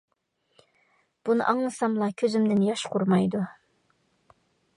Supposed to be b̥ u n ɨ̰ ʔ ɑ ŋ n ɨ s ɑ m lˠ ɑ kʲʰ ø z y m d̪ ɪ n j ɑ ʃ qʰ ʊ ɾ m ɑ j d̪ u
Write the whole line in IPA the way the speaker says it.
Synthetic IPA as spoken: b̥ u n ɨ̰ ʔ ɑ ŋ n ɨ s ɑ m lˠ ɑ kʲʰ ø z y m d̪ ɪ n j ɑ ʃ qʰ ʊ ɾ m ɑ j d̪ u